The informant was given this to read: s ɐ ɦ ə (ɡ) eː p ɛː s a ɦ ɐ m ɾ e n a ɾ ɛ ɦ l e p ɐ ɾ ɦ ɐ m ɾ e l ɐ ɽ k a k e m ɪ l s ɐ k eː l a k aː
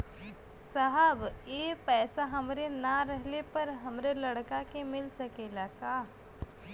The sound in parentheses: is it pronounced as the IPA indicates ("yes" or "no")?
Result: no